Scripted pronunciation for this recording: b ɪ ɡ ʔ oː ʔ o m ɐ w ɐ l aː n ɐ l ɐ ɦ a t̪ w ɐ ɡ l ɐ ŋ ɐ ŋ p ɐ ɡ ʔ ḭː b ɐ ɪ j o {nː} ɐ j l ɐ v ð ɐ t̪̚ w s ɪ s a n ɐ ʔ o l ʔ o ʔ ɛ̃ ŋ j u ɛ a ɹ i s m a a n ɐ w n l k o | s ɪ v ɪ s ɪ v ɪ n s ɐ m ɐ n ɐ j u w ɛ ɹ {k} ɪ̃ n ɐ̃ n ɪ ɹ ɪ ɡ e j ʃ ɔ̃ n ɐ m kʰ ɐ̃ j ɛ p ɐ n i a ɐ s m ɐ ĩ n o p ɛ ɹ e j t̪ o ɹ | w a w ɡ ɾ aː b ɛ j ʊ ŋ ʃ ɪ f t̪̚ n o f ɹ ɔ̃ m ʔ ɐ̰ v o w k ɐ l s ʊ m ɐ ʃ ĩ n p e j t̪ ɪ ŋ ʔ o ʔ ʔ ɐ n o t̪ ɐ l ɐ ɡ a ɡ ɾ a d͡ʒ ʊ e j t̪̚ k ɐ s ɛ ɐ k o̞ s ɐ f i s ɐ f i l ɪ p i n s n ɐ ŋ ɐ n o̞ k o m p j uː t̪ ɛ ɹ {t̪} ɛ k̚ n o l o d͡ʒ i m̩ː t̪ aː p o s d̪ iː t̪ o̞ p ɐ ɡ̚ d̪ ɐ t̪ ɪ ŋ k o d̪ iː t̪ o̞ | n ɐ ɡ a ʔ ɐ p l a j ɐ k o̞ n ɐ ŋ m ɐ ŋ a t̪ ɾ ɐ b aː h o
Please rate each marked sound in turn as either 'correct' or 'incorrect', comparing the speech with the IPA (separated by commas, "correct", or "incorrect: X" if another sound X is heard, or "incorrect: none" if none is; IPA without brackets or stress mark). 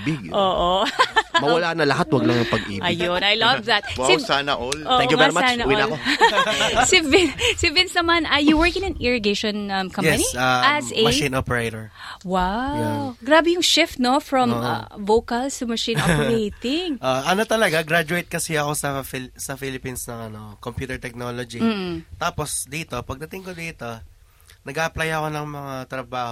incorrect: n, correct, correct